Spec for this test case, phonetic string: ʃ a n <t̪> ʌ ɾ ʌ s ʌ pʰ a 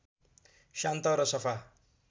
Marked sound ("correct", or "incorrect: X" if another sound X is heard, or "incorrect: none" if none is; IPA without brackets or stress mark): correct